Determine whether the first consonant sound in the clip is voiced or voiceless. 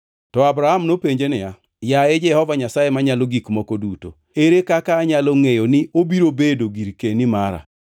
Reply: voiceless